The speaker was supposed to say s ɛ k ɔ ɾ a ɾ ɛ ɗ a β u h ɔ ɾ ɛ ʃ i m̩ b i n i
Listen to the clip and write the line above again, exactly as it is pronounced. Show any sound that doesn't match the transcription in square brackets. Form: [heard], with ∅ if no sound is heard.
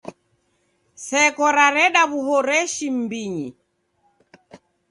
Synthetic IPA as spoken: s ɛ k ɔ ɾ a ɾ ɛ ɗ a β u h ɔ ɾ ɛ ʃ i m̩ b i [ɲ] i